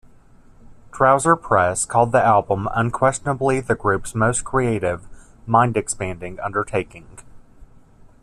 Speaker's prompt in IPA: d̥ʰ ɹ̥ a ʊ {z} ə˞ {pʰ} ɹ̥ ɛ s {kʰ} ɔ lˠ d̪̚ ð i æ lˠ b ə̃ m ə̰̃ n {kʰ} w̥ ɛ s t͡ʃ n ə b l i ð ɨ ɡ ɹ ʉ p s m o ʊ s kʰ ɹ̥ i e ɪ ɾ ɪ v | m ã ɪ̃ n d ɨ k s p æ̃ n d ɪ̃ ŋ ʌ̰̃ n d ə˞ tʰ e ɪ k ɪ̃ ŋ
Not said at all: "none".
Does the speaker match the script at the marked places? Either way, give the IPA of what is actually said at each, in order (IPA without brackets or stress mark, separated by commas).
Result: z, pʰ, kʰ, kʰ